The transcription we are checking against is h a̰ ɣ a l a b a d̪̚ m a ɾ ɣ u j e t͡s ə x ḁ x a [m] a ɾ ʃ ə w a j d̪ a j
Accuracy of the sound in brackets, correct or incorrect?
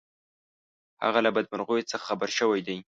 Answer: incorrect